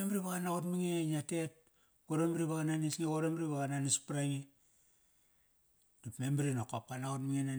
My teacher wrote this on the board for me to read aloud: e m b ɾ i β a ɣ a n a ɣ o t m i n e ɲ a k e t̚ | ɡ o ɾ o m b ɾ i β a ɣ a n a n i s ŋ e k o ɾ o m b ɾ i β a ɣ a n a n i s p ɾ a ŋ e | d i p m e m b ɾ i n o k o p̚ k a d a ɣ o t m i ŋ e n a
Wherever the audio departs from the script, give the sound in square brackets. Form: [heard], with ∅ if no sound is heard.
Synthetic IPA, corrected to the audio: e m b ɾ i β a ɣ a n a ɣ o t m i [ŋ] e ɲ a [t] e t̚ | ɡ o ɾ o m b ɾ i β a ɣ a n a n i s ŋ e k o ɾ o m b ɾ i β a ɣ a n a n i s p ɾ a ŋ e | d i p m e m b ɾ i n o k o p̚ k a [n] a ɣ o t m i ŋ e n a